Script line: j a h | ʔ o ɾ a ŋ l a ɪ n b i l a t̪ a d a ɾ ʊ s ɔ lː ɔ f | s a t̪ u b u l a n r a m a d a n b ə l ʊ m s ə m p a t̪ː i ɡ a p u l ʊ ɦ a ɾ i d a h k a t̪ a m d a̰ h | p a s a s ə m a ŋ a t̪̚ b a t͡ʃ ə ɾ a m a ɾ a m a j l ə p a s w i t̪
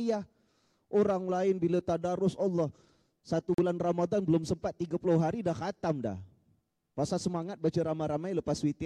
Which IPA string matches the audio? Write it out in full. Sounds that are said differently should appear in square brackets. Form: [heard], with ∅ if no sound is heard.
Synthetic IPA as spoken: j a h | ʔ o ɾ a ŋ l a ɪ n b i l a t̪ a d a ɾ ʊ s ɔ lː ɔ [h] | s a t̪ u b u l a n r a m a d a n b ə l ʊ m s ə m p a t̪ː i ɡ a p u l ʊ ɦ a ɾ i d a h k a t̪ a m d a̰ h | p a s a s ə m a ŋ a t̪̚ b a t͡ʃ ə ɾ a m a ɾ a m a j l ə p a s w i t̪